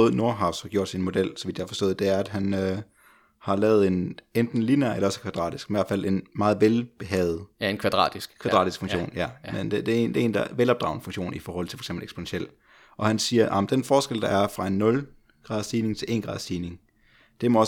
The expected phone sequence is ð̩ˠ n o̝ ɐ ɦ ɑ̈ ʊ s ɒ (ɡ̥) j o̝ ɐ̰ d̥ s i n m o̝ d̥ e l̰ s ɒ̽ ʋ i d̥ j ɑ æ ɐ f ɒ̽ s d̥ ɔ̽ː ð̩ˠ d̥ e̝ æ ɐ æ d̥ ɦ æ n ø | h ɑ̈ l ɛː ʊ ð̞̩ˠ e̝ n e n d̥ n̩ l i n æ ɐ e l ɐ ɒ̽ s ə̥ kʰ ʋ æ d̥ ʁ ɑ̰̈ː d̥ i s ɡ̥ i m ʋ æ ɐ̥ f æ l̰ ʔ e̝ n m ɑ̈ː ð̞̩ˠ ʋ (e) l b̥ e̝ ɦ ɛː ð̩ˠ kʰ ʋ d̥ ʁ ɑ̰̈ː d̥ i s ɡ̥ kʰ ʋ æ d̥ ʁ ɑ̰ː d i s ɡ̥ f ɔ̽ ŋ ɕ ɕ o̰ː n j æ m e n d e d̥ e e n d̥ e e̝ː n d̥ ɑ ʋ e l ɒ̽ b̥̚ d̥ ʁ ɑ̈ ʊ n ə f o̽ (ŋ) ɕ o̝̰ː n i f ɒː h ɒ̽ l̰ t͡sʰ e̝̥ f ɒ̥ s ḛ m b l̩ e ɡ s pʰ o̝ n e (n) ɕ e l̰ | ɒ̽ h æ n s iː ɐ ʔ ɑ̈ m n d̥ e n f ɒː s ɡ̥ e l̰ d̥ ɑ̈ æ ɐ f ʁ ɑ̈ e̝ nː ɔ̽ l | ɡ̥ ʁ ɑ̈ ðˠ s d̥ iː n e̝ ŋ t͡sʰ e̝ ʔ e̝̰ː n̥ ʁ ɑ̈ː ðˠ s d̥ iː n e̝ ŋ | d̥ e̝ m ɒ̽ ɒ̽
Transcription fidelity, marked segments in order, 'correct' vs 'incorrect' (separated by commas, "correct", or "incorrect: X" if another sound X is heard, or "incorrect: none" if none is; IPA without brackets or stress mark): correct, correct, correct, correct